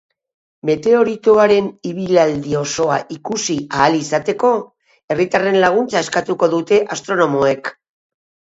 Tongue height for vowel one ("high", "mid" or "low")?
mid